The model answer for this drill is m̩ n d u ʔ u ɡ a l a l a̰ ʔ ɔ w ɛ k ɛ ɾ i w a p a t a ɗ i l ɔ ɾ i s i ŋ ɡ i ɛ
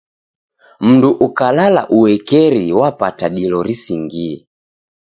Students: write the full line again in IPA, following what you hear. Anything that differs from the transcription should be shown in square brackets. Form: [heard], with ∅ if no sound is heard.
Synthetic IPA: m̩ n d u ʔ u [k] a l a l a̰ ʔ [u] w ɛ k ɛ ɾ i w a p a t a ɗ i l ɔ ɾ i s i ŋ ɡ i ɛ